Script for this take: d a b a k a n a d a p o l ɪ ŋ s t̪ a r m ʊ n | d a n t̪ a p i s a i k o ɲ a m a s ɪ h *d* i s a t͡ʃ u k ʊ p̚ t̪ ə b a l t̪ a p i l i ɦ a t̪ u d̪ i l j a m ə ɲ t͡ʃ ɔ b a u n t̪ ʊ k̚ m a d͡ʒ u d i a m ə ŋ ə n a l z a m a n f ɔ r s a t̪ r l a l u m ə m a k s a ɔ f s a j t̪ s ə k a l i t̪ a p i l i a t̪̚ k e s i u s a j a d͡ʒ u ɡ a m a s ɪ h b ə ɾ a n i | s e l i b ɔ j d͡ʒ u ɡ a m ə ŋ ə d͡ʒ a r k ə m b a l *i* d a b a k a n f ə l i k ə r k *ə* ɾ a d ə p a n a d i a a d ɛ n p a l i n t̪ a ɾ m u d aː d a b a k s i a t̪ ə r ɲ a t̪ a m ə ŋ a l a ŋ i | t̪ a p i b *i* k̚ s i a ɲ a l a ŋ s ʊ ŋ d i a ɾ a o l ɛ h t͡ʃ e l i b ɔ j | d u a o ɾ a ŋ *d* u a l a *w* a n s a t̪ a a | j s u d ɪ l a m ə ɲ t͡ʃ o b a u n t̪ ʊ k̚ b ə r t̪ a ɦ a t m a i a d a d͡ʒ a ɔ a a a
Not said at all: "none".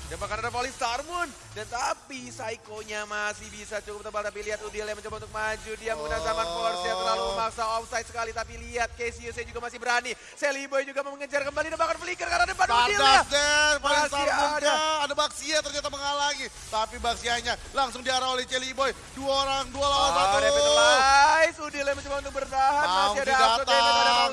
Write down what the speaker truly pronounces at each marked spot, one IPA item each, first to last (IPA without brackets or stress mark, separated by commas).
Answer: b, i, a, a, d, w